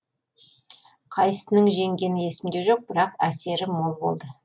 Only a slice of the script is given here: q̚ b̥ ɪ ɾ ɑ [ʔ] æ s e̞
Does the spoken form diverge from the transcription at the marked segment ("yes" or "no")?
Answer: yes